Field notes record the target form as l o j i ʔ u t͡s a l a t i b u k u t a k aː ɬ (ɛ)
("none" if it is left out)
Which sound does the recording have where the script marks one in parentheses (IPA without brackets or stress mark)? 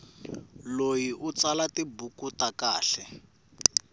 ɛ